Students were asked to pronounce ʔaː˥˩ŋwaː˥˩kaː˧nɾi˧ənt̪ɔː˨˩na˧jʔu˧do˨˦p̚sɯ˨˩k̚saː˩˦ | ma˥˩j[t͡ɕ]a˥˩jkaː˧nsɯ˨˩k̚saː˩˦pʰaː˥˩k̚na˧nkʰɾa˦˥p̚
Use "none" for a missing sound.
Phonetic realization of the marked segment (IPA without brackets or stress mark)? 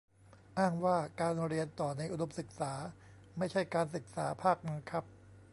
t͡ɕʰ